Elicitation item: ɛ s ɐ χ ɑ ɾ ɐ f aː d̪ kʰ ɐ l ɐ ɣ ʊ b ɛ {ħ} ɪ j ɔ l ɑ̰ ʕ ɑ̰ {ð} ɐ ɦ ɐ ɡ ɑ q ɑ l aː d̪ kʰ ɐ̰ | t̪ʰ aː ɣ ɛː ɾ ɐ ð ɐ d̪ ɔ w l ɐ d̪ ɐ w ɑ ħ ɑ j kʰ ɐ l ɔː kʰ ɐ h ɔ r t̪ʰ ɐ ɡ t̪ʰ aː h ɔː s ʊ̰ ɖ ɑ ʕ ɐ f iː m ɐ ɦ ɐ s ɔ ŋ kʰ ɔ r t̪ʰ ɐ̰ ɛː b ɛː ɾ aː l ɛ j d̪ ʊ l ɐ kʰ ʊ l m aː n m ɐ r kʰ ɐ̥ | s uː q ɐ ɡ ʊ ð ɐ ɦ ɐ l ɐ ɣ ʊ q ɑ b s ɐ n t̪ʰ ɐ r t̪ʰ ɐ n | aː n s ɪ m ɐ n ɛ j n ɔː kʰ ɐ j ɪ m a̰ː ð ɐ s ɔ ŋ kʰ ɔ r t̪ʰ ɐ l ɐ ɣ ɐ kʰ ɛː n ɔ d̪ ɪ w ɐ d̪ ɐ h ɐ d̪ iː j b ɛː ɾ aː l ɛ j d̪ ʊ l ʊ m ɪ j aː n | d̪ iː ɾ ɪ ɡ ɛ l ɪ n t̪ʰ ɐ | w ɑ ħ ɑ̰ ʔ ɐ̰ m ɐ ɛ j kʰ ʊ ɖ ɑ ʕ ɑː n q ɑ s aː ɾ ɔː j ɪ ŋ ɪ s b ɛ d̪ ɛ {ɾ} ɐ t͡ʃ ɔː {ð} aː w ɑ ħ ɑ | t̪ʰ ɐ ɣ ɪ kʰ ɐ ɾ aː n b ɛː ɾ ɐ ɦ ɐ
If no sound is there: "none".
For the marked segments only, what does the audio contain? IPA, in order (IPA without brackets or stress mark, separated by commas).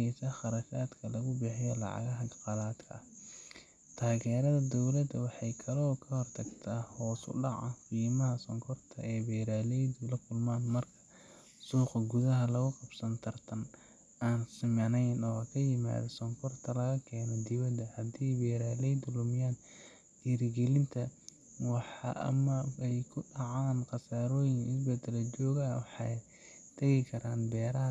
ħ, ɣ, l, ɣ